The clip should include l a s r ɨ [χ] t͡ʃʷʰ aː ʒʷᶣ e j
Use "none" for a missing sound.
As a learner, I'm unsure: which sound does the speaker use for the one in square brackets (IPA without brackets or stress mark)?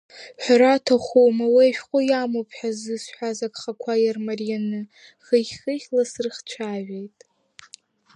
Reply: χ